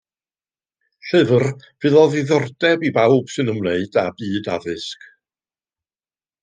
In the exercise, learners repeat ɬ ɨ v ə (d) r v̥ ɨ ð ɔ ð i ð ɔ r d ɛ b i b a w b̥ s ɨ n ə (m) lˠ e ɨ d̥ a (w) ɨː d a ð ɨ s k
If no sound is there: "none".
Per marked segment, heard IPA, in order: none, m, b

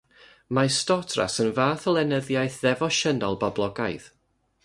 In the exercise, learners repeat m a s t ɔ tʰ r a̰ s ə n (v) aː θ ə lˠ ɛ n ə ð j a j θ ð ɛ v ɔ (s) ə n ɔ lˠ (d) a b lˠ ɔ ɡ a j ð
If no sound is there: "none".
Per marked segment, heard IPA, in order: v, ʃ, b

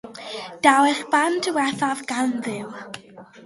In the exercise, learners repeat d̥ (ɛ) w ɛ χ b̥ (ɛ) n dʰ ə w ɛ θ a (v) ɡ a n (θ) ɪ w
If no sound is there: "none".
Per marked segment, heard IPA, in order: a, a, v, ð

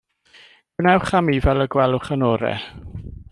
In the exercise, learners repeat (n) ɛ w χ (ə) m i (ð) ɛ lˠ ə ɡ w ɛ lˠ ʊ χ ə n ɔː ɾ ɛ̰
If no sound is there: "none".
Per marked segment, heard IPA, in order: n, a, v

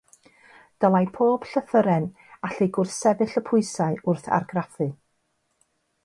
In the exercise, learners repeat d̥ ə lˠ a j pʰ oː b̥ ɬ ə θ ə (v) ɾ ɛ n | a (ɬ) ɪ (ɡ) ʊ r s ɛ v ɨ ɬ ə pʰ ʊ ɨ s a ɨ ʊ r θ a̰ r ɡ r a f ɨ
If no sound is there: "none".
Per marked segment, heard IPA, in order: none, ɬ, ɡ

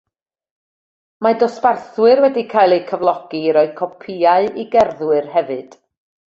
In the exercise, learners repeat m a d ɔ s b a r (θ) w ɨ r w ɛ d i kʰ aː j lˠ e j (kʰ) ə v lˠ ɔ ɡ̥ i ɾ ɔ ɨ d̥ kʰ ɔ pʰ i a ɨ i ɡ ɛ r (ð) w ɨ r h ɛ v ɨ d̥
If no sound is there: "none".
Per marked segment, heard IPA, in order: θ, kʰ, ð

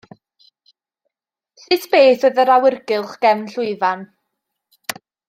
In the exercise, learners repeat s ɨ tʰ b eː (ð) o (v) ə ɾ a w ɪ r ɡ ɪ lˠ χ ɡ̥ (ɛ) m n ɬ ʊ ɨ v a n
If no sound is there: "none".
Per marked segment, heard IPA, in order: θ, ð, ɛ

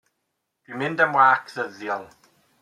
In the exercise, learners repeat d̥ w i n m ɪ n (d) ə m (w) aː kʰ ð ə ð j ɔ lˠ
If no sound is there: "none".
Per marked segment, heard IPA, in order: d, w

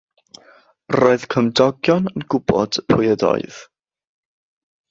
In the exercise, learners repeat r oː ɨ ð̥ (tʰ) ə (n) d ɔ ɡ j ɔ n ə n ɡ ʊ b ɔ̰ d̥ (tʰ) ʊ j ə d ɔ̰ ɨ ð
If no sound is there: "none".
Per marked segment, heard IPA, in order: kʰ, m, pʰ

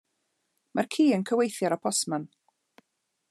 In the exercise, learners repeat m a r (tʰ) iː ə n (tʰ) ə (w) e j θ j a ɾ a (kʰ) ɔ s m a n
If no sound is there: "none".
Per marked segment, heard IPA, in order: kʰ, kʰ, w, pʰ

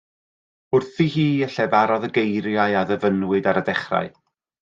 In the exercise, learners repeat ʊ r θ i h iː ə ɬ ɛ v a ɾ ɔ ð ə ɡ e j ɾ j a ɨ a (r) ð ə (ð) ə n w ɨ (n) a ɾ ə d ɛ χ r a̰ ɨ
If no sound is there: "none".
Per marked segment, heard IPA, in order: none, v, d

